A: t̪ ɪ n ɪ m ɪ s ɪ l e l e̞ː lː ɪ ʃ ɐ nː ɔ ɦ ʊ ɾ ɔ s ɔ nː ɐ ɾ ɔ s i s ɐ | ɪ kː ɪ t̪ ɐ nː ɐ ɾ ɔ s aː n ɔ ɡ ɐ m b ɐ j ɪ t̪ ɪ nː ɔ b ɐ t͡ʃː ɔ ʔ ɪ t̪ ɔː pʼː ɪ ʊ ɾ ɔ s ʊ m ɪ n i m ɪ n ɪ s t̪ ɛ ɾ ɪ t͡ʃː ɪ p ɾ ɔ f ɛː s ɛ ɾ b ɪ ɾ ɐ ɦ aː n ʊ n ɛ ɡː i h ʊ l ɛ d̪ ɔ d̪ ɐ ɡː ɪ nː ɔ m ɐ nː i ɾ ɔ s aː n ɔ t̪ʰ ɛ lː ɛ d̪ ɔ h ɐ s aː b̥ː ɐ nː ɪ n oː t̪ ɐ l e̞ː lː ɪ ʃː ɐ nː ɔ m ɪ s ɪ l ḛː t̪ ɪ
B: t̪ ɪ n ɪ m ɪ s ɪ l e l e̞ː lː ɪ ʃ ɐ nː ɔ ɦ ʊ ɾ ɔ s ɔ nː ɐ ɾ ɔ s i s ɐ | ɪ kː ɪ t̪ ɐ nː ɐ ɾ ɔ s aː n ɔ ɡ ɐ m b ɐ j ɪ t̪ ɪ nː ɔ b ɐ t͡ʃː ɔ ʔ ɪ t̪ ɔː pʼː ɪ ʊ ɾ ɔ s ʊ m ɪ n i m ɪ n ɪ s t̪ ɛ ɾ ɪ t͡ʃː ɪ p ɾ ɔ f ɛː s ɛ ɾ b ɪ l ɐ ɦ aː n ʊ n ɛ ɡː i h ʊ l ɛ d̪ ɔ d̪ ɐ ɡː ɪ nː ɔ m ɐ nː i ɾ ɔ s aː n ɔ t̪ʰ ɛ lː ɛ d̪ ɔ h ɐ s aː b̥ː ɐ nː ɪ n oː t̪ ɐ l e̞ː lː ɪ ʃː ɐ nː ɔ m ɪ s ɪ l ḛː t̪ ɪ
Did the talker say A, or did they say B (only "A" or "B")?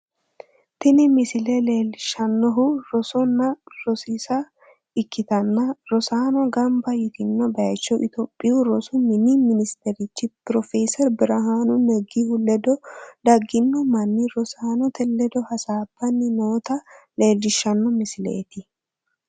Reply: A